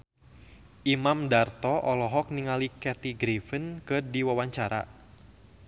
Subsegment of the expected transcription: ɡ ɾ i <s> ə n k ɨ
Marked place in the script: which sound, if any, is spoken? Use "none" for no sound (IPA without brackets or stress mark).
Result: f